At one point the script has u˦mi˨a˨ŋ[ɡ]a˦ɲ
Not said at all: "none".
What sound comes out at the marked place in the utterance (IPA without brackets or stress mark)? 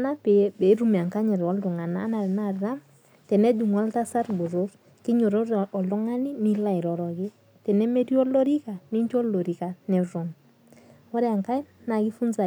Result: k